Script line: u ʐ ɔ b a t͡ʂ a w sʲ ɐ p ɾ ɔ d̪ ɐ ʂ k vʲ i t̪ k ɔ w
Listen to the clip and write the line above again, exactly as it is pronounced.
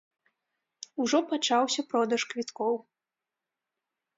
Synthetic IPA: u ʐ ɔ p a t͡ʂ a w sʲ ɐ p ɾ ɔ d̪ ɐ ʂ k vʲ i t̪ k ɔ w